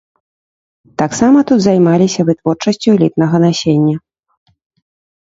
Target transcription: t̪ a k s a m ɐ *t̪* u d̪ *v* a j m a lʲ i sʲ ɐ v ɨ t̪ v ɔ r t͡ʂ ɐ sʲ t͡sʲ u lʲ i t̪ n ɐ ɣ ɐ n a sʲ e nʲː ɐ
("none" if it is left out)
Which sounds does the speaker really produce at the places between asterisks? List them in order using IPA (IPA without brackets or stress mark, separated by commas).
t̪, z